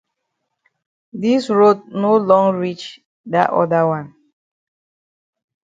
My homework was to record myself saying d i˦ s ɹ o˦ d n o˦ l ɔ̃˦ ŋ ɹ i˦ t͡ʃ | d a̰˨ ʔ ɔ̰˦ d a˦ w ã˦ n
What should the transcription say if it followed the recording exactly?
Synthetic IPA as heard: d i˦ s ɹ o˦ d n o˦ l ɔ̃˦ ŋ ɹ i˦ t͡ʃ | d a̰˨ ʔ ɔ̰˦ d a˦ w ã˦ n